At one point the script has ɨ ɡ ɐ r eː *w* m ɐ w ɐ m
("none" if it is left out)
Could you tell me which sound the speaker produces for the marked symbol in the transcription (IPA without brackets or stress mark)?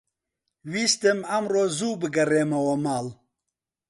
none